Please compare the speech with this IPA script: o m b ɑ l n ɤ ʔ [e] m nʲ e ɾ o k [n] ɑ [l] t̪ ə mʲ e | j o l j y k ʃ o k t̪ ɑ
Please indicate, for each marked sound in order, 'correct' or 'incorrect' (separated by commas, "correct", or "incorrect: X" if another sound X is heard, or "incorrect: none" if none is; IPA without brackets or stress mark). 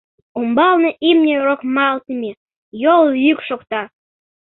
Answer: incorrect: i, incorrect: m, correct